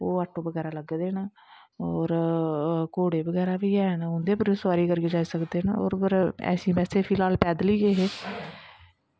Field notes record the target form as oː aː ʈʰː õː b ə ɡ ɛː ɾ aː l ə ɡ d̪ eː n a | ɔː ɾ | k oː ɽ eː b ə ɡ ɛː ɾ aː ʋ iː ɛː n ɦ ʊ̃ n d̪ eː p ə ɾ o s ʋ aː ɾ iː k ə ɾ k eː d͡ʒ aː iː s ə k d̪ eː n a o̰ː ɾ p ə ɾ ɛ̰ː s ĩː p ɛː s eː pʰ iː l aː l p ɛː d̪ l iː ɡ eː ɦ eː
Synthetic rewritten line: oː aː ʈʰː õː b ə ɡ ɛː ɾ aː l ə ɡ d̪ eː n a | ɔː ɾ | k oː ɽ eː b ə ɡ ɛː ɾ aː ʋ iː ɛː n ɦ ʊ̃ n d̪ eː p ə ɾ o s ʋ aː ɾ iː k ə ɾ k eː d͡ʒ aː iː s ə k d̪ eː n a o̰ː ɾ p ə ɾ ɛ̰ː s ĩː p ɛː s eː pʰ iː l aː l p ɛː d̪ l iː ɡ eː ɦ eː